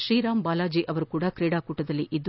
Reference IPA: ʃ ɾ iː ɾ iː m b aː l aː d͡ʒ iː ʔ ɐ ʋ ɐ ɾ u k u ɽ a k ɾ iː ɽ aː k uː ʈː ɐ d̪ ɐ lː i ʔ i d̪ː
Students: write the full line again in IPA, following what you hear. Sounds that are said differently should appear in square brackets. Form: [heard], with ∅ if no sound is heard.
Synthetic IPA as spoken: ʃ ɾ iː ɾ [aː] m b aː l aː d͡ʒ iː ʔ ɐ ʋ ɐ ɾ u k [uː] ɽ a k ɾ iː ɽ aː k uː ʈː ɐ d̪ ɐ lː i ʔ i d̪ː